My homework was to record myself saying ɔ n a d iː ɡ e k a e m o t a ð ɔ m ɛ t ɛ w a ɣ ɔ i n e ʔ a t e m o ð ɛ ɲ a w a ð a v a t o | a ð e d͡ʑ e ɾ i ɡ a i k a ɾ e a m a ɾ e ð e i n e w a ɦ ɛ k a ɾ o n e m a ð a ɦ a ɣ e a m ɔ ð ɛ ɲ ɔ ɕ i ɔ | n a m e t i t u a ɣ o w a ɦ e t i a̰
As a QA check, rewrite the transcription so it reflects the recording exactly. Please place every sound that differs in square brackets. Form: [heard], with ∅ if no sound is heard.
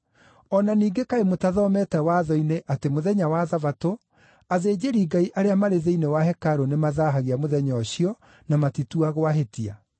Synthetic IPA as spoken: ɔ n a [n] iː ɡ e k a e m o t a ð ɔ m ɛ t ɛ w a [ð] ɔ i n e ʔ a t e m o ð ɛ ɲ a w a ð a v a t o | a ð e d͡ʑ e ɾ i ɡ a i [ʔ] a ɾ e a m a ɾ e ð e i n e w a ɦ ɛ k a ɾ o n e m a ð a ɦ a ɣ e a m [o] ð ɛ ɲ ɔ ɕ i ɔ | n a m [a] t i t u a ɣ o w a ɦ e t i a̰